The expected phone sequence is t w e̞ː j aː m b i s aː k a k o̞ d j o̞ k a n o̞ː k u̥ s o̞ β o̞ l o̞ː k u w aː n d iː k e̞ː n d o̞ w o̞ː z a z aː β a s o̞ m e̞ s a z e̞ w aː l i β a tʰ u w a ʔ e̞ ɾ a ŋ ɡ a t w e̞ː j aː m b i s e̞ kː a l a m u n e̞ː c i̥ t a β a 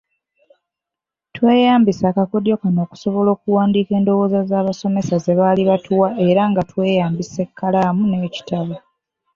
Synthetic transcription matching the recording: t w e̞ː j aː m b i s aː k a k o̞ d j o̞ k a n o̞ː k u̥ s o̞ β o̞ l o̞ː k u w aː n d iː k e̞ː n d o̞ w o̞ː z a z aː β a s o̞ m e̞ s a z e̞ β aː l i β a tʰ u w a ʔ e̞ ɾ a ŋ ɡ a t w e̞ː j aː m b i s e̞ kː a l a m u n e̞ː c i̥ t a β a